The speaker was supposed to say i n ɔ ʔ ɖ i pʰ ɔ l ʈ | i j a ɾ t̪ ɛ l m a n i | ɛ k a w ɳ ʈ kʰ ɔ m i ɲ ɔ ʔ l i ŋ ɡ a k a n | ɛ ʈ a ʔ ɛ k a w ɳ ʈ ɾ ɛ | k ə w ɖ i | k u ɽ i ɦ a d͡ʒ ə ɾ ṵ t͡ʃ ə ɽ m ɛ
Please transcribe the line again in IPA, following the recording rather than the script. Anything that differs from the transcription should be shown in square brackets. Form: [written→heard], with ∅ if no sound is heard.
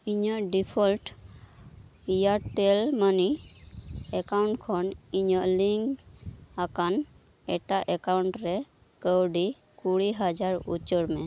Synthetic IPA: i [n→ɲ] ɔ ʔ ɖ i pʰ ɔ l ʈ | i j a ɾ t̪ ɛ l m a n i | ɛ k a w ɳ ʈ kʰ ɔ [m→n] i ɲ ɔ ʔ l i ŋ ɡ a k a n | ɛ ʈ a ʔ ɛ k a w ɳ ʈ ɾ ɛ | k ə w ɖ i | k u ɽ i ɦ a d͡ʒ [ə→a] ɾ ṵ t͡ʃ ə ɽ m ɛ